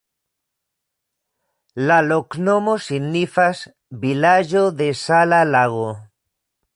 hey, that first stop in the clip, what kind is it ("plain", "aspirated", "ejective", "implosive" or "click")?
plain